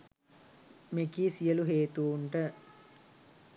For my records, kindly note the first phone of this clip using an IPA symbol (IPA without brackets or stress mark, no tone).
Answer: m